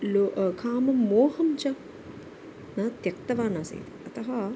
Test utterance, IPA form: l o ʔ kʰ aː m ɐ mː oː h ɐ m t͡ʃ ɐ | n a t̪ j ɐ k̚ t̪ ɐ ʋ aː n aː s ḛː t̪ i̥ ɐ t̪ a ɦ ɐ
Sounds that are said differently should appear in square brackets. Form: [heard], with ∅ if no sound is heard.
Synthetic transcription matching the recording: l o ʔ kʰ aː m ɐ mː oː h ɐ m t͡ʃ ɐ | n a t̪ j ɐ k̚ t̪ ɐ ʋ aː n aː s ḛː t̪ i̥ ɐ t̪ [ɐ] ɦ ɐ